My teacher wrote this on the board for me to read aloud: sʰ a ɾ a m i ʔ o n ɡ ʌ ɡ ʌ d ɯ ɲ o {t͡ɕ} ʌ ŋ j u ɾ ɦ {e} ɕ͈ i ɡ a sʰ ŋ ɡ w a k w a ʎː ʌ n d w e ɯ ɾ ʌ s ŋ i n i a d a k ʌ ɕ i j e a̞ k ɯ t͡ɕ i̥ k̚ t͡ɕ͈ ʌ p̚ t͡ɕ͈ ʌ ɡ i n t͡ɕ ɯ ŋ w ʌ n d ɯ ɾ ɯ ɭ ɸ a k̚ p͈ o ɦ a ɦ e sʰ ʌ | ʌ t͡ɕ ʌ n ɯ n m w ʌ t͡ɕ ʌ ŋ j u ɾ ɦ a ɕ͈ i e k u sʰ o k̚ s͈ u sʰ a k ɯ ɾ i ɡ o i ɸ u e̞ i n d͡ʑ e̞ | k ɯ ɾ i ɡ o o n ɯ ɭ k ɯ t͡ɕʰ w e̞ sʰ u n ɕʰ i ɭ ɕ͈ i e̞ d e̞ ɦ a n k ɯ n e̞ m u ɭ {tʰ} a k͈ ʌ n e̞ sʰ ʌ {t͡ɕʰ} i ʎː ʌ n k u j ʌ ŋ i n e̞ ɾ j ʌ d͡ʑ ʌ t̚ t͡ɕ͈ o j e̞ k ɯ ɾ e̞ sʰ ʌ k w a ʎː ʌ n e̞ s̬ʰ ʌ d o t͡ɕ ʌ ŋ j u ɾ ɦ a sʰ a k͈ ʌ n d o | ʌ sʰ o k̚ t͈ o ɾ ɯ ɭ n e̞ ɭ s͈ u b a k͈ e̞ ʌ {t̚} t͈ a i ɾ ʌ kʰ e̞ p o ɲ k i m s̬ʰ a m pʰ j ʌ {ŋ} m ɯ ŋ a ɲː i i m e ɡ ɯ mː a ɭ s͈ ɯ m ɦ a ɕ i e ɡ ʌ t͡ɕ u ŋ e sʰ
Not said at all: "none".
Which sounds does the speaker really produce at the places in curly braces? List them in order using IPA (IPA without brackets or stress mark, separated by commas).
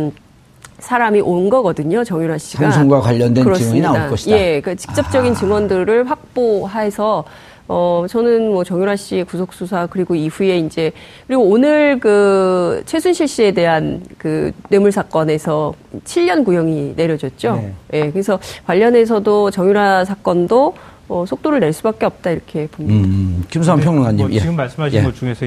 t͡ɕ, a, sʰ, t͡ɕʰ, p̚, ŋ